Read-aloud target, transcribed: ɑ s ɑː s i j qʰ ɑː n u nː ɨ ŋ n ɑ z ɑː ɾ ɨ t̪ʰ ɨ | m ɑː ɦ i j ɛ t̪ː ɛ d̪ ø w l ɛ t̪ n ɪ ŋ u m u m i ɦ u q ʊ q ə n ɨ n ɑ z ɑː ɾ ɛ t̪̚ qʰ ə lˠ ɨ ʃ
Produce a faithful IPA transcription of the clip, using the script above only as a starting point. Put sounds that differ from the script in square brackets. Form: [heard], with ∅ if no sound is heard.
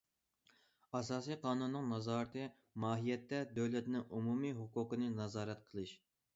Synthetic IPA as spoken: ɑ s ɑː s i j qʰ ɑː n u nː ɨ ŋ n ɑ z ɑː ɾ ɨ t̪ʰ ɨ | m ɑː ɦ i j ɛ t̪ː ɛ d̪ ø w l ɛ t̪ n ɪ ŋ u m u m i ɦ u q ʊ q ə n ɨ n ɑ z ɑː ɾ ɛ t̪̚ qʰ ə lˠ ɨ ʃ